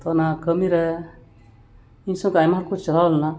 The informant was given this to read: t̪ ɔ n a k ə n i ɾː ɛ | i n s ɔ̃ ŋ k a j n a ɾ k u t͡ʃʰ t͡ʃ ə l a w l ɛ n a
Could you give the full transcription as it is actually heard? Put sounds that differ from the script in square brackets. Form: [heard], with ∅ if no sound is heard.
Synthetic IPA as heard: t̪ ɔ n a k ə [m] i [ɾ] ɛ | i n s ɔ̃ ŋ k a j [m] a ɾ k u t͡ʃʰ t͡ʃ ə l a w l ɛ n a